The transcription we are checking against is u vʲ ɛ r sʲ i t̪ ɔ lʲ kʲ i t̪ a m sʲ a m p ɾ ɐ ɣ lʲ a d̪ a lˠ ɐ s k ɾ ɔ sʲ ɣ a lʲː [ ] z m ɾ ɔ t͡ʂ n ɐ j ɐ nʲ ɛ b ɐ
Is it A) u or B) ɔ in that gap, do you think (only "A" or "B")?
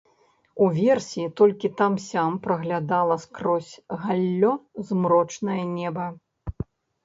B